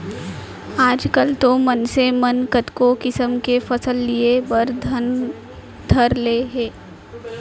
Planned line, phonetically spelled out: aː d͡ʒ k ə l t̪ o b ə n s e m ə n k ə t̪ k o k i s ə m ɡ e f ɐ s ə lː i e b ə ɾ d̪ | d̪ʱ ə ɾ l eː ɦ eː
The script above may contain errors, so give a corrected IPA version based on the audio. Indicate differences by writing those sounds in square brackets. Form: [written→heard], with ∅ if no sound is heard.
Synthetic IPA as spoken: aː d͡ʒ k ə l t̪ o [b→m] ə n s e m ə n k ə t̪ k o k [i→ɪ] s ə m [ɡ→k] e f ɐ s ə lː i e b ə ɾ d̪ | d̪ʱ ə ɾ l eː ɦ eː